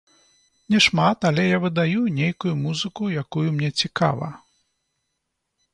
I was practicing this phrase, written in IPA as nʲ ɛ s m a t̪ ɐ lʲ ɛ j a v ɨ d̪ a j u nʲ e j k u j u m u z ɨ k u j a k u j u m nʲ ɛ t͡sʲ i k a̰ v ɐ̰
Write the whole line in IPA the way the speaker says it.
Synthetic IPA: nʲ ɛ ʂ m a t̪ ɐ lʲ ɛ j a v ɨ d̪ a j u nʲ e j k u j u m u z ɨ k u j a k u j u m nʲ ɛ t͡sʲ i k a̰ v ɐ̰